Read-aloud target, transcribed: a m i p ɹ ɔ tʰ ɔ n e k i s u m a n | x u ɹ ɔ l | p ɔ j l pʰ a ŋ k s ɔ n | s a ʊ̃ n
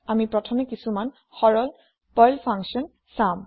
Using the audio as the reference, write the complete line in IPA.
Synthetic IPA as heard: a m i p ɹ ɔ tʰ ɔ m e k i s u m a n | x ɔ ɹ ɔ l | p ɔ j l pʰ a ŋ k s ɔ n | s a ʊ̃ m